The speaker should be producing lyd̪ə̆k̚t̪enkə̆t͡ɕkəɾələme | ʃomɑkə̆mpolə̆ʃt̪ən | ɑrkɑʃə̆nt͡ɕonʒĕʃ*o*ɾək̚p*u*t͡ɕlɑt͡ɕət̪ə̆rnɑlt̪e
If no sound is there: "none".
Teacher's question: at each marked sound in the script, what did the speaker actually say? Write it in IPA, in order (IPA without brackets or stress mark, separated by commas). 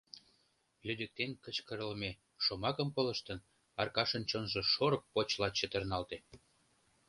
o, o